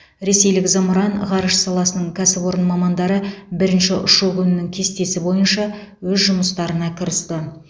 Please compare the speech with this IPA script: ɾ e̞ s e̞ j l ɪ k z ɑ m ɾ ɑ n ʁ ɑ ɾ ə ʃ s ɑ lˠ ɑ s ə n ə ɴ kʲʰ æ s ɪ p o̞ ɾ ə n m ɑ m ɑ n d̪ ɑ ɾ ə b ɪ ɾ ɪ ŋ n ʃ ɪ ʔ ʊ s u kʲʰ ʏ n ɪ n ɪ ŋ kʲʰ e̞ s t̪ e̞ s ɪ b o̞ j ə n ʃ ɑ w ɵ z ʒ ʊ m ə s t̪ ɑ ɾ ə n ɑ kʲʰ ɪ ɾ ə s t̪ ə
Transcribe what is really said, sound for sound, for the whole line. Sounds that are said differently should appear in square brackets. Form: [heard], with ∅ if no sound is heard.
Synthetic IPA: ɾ e̞ s e̞ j l ɪ k z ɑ m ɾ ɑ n ʁ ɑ ɾ ə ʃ s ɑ lˠ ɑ s ə n ə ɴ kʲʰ æ s ɪ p o̞ ɾ ə n m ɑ m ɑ n d̪ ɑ ɾ ə b ɪ ɾ ɪ [∅] n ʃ ɪ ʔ ʊ [ʃ] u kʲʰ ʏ n ɪ n ɪ ŋ kʲʰ e̞ s t̪ e̞ s ɪ b o̞ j ə n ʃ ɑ w ɵ z ʒ ʊ m ə s t̪ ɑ ɾ ə n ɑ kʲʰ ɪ ɾ ə s t̪ ə